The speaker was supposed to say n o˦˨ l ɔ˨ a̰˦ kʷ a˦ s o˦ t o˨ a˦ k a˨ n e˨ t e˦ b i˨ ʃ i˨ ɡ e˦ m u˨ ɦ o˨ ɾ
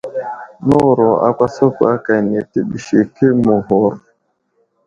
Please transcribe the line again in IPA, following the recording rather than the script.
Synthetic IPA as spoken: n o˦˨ ɾ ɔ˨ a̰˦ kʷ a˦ s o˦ k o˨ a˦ k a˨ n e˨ t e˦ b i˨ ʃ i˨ k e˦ m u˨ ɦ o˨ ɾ